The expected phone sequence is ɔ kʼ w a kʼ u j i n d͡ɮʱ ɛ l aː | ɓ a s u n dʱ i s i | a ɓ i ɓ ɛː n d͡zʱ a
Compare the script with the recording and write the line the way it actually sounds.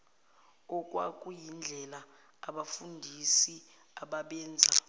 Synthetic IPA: ɔ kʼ w a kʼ u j i n d͡ɮʱ ɛ l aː | ɓ a f u n dʱ i s i | a ɓ a ɓ ɛː n d͡zʱ a